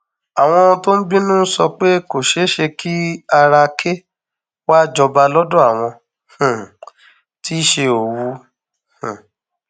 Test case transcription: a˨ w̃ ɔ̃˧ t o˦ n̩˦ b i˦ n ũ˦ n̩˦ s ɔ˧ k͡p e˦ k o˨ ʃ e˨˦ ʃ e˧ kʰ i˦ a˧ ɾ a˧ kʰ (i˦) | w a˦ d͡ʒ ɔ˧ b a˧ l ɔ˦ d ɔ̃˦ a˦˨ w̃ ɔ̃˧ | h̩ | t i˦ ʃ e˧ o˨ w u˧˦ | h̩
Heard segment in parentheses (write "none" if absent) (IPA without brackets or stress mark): e˦